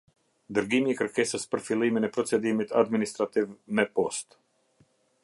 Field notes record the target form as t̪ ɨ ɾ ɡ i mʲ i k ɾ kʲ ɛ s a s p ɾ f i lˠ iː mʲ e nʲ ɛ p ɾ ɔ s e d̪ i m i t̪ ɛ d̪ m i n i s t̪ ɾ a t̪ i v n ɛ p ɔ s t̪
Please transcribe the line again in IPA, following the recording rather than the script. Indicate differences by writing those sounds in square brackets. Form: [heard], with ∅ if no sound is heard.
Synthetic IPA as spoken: [d̪] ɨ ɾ ɡ i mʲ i k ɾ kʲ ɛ s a s p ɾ f i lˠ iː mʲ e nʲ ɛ p ɾ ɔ s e d̪ i m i t̪ [a] d̪ m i n i s t̪ ɾ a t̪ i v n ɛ p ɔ s t̪